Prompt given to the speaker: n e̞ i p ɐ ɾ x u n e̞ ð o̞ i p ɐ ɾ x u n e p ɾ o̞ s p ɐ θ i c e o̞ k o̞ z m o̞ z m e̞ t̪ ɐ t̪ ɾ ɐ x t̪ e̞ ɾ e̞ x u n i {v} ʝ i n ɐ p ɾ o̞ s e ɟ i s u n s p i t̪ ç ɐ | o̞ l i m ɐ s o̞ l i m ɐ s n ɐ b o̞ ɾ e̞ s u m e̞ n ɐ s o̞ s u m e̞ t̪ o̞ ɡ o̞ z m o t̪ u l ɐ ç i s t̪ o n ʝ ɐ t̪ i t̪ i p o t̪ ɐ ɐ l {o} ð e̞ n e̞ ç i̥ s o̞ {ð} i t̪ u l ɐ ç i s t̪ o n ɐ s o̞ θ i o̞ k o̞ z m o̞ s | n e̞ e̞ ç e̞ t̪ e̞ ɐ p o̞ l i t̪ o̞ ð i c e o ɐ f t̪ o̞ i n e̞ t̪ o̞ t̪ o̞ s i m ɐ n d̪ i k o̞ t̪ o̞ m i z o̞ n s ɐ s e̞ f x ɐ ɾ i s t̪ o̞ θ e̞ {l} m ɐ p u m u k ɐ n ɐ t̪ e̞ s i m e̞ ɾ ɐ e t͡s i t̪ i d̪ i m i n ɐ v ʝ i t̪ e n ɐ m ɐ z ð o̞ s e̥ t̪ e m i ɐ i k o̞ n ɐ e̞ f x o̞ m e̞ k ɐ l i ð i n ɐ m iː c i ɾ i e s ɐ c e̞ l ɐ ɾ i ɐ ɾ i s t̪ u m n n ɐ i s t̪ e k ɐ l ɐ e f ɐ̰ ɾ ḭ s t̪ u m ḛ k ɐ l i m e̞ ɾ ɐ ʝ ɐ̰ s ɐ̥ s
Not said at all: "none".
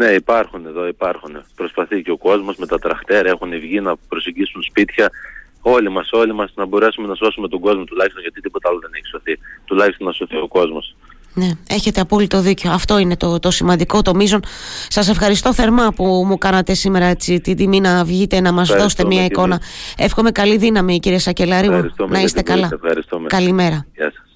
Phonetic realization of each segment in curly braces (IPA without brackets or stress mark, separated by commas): v, o, θ, ɾ